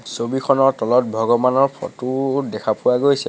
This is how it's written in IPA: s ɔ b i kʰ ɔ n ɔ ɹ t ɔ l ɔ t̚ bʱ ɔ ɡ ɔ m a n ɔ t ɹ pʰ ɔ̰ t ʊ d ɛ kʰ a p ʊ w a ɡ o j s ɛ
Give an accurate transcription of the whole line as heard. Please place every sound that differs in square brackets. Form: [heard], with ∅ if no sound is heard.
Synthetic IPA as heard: s [o] b i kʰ ɔ n ɔ ɹ t ɔ l ɔ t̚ bʱ ɔ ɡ ɔ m a n ɔ [∅] ɹ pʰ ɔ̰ t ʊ d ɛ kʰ a p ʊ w a ɡ o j s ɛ